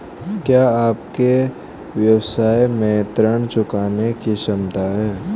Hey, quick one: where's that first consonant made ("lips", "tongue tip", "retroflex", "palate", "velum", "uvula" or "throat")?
velum